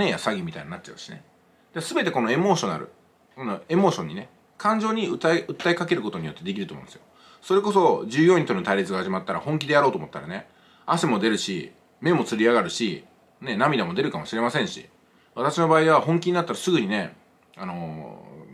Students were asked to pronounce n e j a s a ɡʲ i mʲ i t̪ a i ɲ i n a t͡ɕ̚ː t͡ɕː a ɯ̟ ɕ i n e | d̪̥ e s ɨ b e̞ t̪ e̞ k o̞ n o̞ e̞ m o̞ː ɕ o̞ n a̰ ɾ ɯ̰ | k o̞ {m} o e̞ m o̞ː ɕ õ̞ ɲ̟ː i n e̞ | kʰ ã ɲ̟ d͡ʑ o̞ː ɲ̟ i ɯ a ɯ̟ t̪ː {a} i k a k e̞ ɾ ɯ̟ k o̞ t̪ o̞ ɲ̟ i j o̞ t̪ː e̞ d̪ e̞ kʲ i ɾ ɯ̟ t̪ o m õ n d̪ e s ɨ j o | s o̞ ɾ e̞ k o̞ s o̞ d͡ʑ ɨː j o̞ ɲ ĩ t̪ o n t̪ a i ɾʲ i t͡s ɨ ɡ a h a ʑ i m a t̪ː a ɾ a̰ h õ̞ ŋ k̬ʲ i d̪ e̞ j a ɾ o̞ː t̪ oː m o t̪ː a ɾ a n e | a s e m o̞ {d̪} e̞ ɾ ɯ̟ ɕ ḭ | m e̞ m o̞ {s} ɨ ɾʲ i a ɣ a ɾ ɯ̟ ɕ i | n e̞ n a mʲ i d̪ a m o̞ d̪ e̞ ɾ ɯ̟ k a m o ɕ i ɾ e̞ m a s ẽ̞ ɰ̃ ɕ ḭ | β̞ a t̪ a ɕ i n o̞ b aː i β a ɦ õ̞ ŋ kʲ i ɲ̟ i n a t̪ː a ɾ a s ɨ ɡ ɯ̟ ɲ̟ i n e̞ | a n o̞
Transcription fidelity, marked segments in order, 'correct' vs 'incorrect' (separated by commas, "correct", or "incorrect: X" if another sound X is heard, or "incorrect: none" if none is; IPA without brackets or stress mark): incorrect: n, correct, correct, incorrect: t͡s